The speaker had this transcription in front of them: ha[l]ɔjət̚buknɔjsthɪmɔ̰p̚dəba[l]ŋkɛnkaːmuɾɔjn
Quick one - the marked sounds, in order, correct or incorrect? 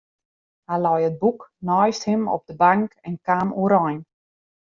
correct, incorrect

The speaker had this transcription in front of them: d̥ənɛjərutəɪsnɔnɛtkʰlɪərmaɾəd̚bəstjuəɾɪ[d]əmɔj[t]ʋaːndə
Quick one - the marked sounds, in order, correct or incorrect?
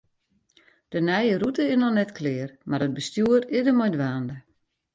correct, incorrect

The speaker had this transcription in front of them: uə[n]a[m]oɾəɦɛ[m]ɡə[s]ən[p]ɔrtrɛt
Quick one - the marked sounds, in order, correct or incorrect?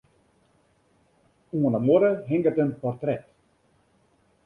correct, correct, incorrect, incorrect, correct

